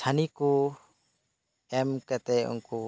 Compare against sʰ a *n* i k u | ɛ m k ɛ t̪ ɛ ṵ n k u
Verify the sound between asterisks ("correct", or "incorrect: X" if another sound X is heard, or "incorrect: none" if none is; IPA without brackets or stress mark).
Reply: correct